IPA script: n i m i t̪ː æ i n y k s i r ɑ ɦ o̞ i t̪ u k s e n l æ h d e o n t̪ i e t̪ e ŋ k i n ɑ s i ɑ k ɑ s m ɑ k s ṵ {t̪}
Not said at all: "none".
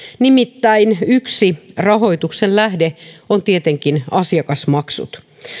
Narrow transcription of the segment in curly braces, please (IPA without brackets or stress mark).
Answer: t̪